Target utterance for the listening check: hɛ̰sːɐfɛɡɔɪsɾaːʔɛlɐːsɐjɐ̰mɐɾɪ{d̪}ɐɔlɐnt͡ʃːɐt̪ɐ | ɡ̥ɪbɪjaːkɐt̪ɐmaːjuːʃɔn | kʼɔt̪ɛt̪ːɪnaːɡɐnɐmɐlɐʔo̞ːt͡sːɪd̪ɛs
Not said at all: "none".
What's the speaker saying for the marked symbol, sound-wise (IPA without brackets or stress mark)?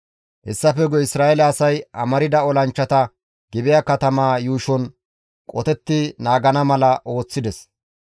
d̪